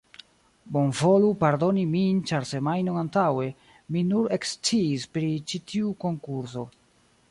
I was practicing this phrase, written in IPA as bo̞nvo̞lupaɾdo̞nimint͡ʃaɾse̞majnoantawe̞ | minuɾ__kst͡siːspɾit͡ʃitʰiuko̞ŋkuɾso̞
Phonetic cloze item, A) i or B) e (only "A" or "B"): B